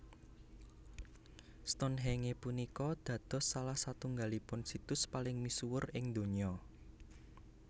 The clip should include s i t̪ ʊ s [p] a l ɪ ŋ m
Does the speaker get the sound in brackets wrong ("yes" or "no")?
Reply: no